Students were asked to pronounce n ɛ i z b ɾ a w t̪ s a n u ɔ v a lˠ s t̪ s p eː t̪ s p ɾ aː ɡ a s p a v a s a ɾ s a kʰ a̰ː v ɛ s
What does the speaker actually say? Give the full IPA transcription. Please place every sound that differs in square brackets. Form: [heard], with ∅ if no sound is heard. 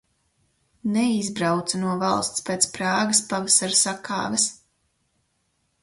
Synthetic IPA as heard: n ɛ i z b ɾ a w t̪ s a n u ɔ v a lˠ s t̪ s p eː t̪ s p ɾ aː ɡ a s p a v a s a ɾ s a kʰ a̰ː v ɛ s